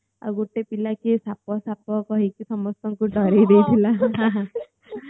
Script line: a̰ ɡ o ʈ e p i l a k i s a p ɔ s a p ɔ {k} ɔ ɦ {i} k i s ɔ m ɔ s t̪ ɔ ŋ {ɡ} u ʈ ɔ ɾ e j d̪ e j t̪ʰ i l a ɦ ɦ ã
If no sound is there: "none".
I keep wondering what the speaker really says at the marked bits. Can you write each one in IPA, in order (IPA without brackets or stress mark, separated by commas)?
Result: k, i, k